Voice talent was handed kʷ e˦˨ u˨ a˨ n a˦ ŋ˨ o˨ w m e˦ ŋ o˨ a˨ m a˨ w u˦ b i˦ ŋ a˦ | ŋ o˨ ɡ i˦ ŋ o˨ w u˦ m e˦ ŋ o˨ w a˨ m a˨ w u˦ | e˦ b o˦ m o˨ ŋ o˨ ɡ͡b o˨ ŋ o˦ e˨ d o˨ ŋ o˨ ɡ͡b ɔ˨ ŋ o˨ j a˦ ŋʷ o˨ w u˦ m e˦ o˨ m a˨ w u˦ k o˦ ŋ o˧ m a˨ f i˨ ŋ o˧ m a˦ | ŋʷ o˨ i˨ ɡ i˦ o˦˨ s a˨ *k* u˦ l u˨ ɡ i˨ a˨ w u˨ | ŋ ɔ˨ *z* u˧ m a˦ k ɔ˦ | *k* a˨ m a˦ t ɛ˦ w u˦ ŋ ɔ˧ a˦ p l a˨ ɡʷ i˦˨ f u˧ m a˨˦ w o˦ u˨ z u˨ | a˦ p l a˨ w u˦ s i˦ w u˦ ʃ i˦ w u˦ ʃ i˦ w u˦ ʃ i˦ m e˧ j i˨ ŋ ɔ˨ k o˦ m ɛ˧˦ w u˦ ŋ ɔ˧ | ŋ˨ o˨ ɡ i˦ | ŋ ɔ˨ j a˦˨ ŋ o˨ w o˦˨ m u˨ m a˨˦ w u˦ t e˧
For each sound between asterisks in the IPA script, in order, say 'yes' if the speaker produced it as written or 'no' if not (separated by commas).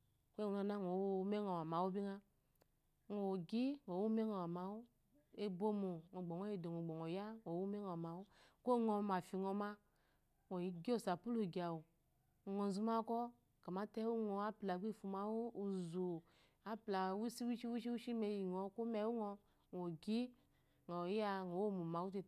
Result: no, yes, yes